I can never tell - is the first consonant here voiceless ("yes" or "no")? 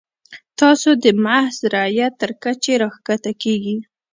yes